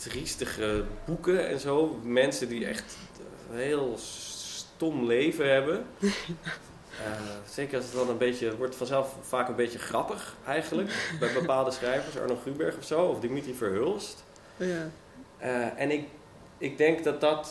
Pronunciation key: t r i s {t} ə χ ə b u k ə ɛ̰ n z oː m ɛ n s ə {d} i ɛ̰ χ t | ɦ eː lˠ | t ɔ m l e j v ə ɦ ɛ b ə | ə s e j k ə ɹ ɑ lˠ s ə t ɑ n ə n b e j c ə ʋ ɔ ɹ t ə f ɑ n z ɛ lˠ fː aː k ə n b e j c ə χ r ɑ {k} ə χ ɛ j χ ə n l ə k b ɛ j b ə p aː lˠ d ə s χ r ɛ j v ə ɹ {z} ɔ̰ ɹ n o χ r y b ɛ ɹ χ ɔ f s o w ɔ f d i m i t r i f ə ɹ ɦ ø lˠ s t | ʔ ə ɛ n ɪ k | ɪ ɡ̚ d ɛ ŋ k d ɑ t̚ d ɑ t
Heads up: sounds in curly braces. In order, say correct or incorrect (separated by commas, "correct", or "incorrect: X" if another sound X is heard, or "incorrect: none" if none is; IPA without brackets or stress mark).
correct, correct, incorrect: p, incorrect: s